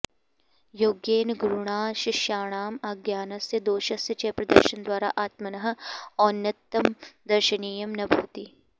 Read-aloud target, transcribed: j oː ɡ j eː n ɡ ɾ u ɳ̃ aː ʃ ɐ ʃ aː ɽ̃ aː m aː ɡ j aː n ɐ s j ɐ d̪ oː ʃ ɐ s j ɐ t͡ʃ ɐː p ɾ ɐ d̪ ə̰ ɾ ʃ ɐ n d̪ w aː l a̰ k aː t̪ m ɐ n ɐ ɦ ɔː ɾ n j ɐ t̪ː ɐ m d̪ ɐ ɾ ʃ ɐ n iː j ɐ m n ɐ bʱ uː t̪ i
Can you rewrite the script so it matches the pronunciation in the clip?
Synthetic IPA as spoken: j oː ɡ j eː n ɡ ɾ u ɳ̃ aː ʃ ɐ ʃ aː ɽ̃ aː m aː ɡ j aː n ɐ s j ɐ d̪ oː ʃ ɐ s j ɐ t͡ʃ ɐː p ɾ ɐ d̪ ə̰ ɾ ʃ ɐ n d̪ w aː ɾ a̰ ʔ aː t̪ m ɐ n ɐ ɦ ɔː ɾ n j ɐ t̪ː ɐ m d̪ ɐ ɾ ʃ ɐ n iː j ɐ m n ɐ bʱ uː t̪ i